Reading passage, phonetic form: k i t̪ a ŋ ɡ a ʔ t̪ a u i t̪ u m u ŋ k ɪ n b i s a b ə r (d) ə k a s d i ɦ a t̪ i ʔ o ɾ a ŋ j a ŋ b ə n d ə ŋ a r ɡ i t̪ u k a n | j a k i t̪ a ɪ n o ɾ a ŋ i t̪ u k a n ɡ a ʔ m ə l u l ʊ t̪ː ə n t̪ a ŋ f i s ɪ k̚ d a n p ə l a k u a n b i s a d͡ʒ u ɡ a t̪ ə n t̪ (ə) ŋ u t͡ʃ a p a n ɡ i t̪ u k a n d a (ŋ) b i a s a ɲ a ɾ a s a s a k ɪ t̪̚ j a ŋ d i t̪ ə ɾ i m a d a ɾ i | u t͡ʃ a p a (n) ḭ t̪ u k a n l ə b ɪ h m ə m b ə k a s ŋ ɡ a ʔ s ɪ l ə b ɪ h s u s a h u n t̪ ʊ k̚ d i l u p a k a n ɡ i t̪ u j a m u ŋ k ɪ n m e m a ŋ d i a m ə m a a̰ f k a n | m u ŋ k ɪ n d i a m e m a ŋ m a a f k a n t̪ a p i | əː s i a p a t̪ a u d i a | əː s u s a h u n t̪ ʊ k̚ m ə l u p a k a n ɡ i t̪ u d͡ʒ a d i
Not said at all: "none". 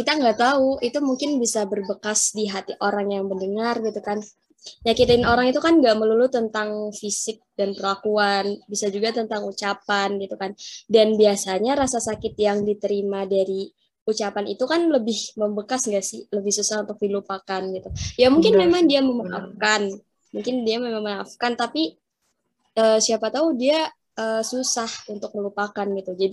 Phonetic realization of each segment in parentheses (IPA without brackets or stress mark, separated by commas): b, a, n, n